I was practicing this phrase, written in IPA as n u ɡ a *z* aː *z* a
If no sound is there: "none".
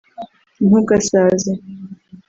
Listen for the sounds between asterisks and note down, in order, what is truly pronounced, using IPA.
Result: s, z

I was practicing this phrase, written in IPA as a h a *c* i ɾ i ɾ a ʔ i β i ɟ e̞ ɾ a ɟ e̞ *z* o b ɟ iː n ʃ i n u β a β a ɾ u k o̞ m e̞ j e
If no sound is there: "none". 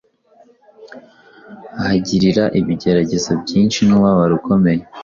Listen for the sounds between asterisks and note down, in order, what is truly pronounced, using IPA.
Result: ɟ, z

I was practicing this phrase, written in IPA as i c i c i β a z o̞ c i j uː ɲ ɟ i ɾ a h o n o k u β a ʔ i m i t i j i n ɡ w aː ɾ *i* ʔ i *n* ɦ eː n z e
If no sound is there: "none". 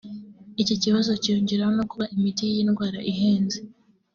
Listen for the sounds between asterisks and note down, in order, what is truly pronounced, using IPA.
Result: a, none

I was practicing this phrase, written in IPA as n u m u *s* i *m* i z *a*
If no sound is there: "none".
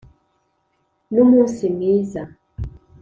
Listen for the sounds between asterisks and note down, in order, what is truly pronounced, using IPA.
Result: s, m, a

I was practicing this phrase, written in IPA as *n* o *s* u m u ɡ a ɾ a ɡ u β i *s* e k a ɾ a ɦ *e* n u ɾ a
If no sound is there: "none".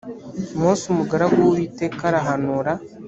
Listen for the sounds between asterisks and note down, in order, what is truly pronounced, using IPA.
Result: m, s, t, a

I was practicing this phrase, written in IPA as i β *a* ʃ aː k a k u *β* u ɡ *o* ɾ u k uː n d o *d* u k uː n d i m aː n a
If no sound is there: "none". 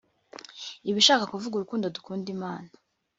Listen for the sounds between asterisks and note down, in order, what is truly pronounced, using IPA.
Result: i, v, u, d

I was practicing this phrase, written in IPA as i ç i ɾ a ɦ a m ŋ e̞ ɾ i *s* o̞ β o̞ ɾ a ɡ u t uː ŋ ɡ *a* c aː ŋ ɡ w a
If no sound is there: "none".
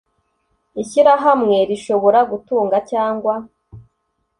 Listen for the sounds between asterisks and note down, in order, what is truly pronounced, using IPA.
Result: ʃ, a

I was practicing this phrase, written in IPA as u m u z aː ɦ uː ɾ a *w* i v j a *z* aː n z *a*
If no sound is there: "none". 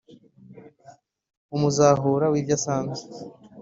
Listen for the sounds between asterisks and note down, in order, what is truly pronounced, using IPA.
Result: w, s, e

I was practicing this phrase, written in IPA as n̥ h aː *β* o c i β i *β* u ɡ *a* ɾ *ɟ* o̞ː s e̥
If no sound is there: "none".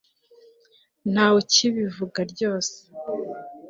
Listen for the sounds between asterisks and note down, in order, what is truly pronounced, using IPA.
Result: w, v, a, ɟ

